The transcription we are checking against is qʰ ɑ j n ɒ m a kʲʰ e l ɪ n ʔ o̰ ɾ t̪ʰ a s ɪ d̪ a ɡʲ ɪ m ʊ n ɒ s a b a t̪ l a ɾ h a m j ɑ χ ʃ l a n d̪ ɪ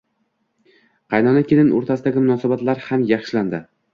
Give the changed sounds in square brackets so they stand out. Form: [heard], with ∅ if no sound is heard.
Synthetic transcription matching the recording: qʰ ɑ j n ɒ [n] a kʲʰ e l ɪ n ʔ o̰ ɾ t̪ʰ a s ɪ d̪ a ɡʲ ɪ m ʊ n ɒ s a b a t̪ l a ɾ h a m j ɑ χ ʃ l a n d̪ ɪ